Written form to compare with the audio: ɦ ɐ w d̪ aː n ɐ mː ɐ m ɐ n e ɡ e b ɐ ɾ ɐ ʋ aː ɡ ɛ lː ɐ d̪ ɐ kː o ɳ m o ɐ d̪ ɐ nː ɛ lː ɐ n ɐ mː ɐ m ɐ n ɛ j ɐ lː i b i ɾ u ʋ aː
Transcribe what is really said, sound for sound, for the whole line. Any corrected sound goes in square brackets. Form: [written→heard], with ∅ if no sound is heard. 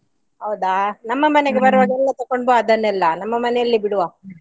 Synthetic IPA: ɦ ɐ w d̪ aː n ɐ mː ɐ m ɐ n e ɡ e b ɐ ɾ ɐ ʋ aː ɡ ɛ lː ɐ [d̪→t̪] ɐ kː o ɳ [m→b] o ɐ d̪ ɐ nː ɛ lː ɐ n ɐ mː ɐ m ɐ n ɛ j ɐ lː i b i [ɾ→ɽ] u ʋ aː